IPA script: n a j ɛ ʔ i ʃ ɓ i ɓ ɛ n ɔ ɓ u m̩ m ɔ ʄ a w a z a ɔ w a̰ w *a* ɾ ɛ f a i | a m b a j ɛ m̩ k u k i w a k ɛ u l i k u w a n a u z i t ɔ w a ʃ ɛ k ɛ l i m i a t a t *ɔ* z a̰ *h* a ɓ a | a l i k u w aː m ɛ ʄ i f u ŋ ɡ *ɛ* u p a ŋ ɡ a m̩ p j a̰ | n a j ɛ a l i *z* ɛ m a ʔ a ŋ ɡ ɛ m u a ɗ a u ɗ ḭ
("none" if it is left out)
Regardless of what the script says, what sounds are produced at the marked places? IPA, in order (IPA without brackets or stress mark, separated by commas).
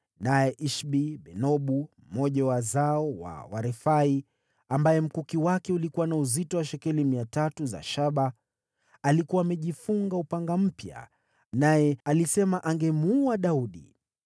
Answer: a, u, ʃ, a, s